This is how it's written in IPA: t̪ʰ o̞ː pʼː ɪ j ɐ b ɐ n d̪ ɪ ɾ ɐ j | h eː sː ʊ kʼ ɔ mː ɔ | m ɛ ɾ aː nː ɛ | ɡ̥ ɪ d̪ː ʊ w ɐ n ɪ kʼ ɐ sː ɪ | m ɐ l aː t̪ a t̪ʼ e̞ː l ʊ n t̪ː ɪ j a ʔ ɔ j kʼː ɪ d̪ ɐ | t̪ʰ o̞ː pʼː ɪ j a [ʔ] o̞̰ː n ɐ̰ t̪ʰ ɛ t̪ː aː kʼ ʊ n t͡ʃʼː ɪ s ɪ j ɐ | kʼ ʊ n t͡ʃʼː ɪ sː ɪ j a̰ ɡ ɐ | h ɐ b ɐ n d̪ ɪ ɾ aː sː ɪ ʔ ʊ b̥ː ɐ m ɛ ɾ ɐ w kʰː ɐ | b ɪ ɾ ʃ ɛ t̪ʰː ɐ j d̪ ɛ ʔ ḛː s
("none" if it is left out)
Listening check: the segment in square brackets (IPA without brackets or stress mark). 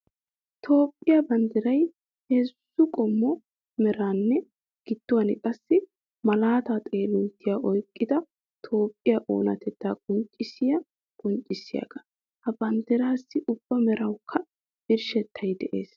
ʔ